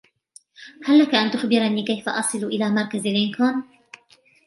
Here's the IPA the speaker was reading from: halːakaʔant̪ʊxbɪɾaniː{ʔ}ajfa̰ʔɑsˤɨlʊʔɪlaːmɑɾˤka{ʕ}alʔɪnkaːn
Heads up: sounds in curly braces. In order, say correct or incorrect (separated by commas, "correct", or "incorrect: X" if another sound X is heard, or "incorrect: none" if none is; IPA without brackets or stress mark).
incorrect: k, incorrect: z